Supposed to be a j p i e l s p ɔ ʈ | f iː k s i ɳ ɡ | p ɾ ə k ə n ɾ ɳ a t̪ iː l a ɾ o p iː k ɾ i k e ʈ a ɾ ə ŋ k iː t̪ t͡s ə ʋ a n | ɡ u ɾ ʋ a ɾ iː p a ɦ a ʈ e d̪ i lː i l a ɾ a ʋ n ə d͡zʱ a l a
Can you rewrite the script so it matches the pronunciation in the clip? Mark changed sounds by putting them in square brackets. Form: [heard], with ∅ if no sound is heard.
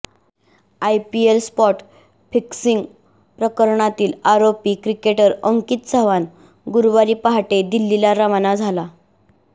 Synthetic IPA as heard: a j p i e l s p ɔ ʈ | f [i] k s i [ŋ] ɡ | p ɾ ə k ə [∅] ɾ ɳ a t̪ iː l a ɾ o p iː k ɾ i k e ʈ [ə] ɾ ə ŋ k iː t̪ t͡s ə ʋ a n | ɡ u ɾ ʋ a ɾ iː p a ɦ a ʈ e d̪ i lː i l a ɾ a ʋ n [a] d͡zʱ a l a